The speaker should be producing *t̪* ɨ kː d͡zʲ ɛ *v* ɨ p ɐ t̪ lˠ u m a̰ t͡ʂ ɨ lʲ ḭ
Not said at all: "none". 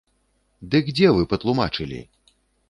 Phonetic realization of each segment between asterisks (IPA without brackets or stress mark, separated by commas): d̪, v